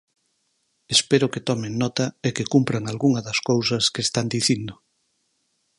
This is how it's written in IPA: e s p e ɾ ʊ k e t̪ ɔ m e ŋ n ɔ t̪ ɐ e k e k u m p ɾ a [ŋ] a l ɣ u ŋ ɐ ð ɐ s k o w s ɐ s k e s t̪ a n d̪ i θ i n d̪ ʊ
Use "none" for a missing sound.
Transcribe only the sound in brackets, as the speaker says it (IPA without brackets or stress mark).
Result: ŋ